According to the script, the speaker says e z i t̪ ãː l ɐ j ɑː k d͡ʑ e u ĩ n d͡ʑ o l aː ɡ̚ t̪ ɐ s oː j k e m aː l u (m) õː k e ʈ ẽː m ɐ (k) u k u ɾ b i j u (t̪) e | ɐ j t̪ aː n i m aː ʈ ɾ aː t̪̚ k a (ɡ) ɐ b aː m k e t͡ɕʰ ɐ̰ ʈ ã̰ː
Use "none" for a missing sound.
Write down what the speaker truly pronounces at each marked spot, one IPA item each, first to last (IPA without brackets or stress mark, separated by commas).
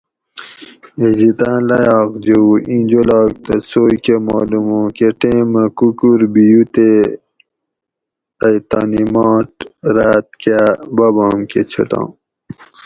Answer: m, k, t̪, b